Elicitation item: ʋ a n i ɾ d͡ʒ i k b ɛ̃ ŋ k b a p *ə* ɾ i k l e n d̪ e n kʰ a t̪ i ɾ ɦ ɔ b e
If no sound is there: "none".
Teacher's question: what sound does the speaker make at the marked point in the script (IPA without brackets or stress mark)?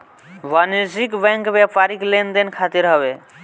a